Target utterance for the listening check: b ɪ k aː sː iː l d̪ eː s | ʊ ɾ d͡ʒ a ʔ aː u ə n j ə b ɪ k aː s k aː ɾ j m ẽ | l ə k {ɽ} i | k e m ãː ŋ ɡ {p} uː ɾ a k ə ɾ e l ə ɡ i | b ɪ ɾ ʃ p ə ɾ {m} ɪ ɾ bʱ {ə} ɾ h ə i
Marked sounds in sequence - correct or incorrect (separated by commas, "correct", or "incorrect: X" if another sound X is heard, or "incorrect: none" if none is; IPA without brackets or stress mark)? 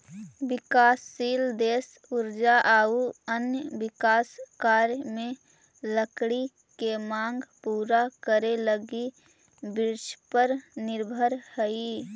correct, correct, incorrect: n, correct